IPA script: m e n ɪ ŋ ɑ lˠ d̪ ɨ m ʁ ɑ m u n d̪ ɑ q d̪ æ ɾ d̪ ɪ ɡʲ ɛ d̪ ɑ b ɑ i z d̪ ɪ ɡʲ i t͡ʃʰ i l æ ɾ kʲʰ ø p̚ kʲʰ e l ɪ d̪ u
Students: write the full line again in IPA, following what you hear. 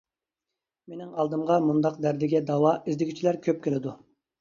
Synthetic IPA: m e n ɪ ŋ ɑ lˠ d̪ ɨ m ʁ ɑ m u n d̪ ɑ q d̪ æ ɾ d̪ ɪ ɡʲ ɛ d̪ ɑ w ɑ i z d̪ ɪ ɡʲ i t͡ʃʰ i l æ ɾ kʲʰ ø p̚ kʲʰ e l ɪ d̪ u